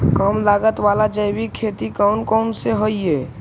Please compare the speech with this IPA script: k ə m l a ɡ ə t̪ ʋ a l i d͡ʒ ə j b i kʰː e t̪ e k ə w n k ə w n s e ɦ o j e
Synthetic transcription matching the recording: k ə m l a ɡ ə t̪ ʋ a l a d͡ʒ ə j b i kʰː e t̪ i k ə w n k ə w n s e ɦ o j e